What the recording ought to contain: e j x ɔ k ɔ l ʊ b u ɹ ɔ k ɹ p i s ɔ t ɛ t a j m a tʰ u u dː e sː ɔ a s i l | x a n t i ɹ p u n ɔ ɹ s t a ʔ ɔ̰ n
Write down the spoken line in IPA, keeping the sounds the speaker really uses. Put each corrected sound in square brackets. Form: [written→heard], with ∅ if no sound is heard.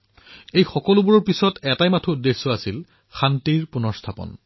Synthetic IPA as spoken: e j x ɔ k ɔ l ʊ b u ɹ ɔ [k→∅] ɹ p i s ɔ t ɛ t a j m a tʰ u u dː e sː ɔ a s i l | x a n t i ɹ p u n ɔ ɹ s [t→tʰ] a [ʔ→p] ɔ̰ n